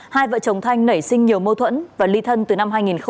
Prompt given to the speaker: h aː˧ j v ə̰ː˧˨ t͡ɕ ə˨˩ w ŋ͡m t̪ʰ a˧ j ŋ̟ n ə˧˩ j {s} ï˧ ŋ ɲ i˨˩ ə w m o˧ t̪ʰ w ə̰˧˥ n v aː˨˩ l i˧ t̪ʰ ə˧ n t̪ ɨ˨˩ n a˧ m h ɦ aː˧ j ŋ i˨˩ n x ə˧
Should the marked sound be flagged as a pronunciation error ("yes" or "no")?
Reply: no